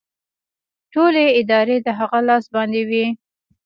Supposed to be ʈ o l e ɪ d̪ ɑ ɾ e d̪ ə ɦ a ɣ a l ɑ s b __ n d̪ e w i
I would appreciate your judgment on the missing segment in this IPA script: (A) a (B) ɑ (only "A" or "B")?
B